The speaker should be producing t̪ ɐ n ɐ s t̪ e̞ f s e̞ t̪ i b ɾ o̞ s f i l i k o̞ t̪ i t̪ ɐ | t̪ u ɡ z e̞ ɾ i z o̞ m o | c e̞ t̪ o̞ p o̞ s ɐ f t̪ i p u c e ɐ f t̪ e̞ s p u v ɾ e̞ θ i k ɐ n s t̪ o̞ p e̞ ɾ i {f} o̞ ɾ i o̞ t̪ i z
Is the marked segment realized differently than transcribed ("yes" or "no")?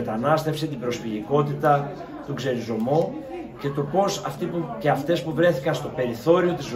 yes